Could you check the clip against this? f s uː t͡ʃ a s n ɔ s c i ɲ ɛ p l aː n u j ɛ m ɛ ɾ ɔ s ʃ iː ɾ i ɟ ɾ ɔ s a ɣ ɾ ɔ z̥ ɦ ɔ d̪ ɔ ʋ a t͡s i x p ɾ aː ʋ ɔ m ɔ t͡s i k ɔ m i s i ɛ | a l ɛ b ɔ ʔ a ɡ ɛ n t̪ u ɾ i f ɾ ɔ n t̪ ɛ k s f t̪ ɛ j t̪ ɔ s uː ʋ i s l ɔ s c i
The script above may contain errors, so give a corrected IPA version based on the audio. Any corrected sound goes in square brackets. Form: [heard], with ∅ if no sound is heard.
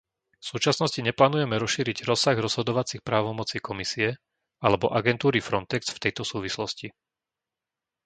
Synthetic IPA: f s uː t͡ʃ a s n ɔ s c i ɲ ɛ p l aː n u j ɛ m ɛ ɾ ɔ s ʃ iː ɾ i ɟ ɾ ɔ s a ɣ ɾ ɔ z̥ ɦ ɔ d̪ ɔ ʋ a t͡s i x p ɾ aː ʋ ɔ m ɔ t͡s i k ɔ m i s i ɛ | a l ɛ b ɔ ʔ a ɡ ɛ n t̪ [uː] ɾ i f ɾ ɔ n t̪ ɛ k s f t̪ ɛ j t̪ ɔ s uː ʋ i s l ɔ s c i